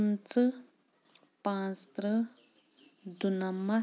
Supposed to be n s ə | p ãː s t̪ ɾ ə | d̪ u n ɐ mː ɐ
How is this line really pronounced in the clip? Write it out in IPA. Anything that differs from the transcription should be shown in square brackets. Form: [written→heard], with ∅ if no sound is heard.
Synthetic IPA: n [s→t͡s] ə | p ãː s t̪ ɾ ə | d̪ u n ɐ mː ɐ

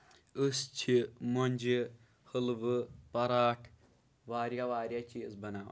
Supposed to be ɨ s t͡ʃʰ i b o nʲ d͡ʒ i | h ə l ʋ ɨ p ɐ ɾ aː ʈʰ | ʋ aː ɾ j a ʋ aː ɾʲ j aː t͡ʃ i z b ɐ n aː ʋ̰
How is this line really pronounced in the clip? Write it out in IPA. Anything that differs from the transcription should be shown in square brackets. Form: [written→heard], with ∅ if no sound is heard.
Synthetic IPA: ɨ s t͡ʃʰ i [b→m] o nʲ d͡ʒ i | h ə l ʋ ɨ p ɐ ɾ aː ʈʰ | ʋ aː ɾ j a ʋ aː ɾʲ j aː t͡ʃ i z b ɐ n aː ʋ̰

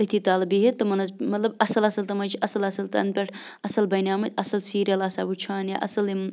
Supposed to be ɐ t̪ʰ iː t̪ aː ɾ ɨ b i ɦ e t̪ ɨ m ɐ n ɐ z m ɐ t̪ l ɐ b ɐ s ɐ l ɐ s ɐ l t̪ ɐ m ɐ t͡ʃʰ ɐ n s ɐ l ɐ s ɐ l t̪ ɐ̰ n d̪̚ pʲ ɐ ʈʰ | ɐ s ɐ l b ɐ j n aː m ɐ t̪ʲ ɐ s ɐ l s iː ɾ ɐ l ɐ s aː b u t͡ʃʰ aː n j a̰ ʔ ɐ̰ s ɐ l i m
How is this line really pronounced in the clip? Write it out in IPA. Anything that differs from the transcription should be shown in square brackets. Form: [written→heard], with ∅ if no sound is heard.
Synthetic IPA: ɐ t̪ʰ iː t̪ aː [ɾ→l] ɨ b i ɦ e t̪ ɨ m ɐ n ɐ z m ɐ t̪ l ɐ b ɐ s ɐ l ɐ s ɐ l t̪ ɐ m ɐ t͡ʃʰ ɐ [n→∅] s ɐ l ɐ s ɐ l t̪ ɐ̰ n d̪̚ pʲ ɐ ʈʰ | ɐ s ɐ l b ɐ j n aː m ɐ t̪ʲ ɐ s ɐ l s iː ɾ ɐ l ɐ s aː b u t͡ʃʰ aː n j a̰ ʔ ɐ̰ s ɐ l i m

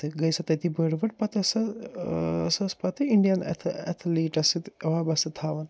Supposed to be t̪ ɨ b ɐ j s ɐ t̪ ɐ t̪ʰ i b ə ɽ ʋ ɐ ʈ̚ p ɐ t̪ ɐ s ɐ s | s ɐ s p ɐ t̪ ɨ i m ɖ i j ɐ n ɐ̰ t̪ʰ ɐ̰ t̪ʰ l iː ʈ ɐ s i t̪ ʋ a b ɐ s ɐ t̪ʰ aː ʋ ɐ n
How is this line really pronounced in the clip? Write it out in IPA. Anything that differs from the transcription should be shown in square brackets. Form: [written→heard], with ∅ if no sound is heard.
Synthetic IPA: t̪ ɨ [b→ɡ] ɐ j s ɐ t̪ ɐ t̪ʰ i b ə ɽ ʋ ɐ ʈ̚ p ɐ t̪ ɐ s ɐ [s→∅] | s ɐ s p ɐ t̪ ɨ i [m→ɳ] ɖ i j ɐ n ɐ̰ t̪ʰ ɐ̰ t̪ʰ l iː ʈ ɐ s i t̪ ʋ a b ɐ s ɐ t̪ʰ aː ʋ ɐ n

